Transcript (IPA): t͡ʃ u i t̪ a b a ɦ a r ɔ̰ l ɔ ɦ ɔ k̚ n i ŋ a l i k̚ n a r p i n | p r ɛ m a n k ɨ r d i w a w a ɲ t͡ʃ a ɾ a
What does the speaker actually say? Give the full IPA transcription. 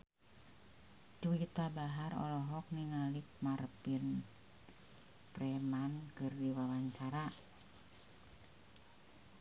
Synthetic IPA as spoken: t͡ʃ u i t̪ a b a ɦ a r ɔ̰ l ɔ ɦ ɔ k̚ n i ŋ a l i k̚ m a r p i n | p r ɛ m a n k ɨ r d i w a w a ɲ t͡ʃ a ɾ a

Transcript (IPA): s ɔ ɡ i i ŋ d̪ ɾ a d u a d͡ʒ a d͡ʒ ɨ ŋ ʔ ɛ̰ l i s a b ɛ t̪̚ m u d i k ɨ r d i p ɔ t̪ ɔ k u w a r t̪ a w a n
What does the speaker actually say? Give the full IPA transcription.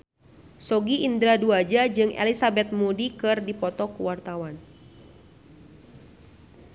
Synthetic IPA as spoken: s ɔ ɡ i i n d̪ ɾ a d u a d͡ʒ a d͡ʒ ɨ ŋ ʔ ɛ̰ l i s a b ɛ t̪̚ m u d i k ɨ r d i p ɔ t̪ ɔ k u w a r t̪ a w a n

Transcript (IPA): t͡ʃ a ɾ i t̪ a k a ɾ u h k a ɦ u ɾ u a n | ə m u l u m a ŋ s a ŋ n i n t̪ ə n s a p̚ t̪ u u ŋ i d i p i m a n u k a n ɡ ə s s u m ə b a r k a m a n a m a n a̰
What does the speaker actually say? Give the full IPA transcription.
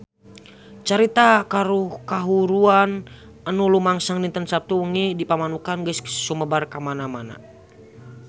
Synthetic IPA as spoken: t͡ʃ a ɾ i t̪ a k a ɾ u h k a ɦ u ɾ u a n | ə n u l u m a ŋ s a ŋ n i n t̪ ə n s a p̚ t̪ u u ŋ i d i p a m a n u k a n ɡ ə s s u m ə b a r k a m a n a m a n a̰

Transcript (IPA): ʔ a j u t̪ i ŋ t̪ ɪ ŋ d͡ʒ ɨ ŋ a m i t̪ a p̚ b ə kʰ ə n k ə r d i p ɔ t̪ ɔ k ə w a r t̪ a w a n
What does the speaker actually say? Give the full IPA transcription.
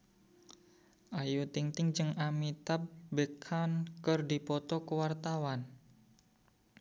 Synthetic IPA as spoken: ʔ a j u t̪ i ŋ t̪ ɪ ŋ d͡ʒ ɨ ŋ a m i t̪ a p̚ b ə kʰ a n k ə r d i p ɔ t̪ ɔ k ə w a r t̪ a w a n

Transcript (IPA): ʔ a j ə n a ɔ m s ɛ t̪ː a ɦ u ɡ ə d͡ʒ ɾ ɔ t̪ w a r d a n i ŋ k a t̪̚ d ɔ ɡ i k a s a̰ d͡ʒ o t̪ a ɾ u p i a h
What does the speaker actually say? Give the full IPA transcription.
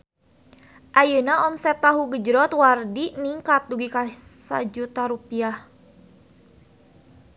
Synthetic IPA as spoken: ʔ a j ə n a ɔ m s ɛ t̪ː a ɦ u ɡ ə d͡ʒ ɾ ɔ t̪ w a r d i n i ŋ k a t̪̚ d u ɡ i k a s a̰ d͡ʒ u t̪ a ɾ u p i a h

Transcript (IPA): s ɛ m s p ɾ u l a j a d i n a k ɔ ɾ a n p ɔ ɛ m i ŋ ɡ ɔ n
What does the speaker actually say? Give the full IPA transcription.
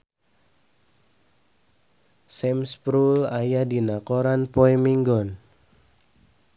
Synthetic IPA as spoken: s ɛ m s p ɾ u l a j a d i n a k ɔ ɾ a n p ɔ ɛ m i ŋ ɡ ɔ n

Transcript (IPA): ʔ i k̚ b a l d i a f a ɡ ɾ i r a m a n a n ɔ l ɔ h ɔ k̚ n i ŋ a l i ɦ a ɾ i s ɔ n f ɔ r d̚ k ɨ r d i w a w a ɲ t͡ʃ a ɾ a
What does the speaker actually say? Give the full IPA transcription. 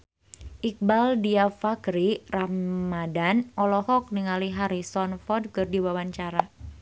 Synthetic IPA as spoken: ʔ i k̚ b a l d i a f a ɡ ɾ i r a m a d a n ɔ l ɔ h ɔ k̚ n i ŋ a l i ɦ a ɾ i s ɔ n f ɔ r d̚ k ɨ r d i w a w a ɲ t͡ʃ a ɾ a

